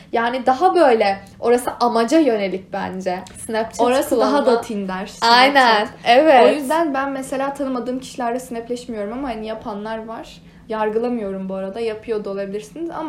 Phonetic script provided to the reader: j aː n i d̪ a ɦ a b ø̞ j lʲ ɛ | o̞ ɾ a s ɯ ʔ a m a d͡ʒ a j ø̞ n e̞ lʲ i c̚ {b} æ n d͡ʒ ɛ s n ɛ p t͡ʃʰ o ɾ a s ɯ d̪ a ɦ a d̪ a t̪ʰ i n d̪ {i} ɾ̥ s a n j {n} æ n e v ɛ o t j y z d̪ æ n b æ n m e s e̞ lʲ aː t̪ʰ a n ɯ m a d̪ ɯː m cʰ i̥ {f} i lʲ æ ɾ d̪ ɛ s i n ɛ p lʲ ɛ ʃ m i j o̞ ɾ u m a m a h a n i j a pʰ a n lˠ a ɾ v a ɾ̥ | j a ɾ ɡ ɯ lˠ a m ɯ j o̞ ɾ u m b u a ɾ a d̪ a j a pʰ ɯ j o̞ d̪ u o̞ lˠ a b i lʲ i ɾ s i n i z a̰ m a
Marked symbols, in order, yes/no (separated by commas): yes, no, yes, no